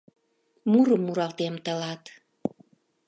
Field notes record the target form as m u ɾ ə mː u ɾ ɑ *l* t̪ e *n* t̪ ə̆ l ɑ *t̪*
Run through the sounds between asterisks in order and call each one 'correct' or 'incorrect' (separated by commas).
correct, incorrect, correct